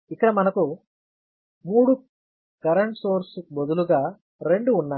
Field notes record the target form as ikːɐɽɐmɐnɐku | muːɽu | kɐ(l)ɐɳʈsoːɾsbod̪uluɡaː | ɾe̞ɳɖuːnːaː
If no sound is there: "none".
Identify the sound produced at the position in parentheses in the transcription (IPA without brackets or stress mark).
ɾ